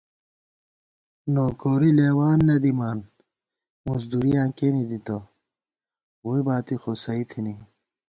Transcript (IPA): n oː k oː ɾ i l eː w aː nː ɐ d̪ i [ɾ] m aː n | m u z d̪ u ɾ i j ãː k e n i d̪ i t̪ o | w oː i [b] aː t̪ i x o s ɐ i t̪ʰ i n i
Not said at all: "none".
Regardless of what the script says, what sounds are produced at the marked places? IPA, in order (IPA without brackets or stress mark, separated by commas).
none, b